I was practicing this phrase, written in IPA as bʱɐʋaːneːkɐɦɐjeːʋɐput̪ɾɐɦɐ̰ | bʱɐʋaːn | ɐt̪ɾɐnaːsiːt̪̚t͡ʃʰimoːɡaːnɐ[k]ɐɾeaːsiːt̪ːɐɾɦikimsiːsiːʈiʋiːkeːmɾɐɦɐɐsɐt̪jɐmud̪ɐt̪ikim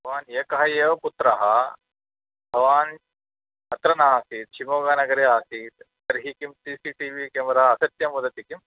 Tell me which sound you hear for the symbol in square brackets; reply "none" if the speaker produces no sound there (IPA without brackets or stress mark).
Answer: ɡ